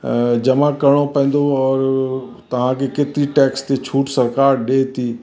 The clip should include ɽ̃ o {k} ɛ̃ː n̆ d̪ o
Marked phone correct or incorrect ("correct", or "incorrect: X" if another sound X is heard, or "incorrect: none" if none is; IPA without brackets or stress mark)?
incorrect: p